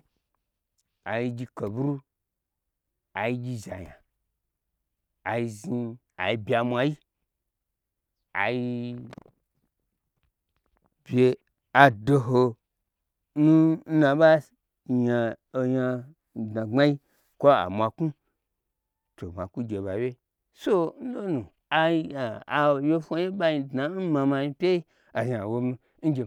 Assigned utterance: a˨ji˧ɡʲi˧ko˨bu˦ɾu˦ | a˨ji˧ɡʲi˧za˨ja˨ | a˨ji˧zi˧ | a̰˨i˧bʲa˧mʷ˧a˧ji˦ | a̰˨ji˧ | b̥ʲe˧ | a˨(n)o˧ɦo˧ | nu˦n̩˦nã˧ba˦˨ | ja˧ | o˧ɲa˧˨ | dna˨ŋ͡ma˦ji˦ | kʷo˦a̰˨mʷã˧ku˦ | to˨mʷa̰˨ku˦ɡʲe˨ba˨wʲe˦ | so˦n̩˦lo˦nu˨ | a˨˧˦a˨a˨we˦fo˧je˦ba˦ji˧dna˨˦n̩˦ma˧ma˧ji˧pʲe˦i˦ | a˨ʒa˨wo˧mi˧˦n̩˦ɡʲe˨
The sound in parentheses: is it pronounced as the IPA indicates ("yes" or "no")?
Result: no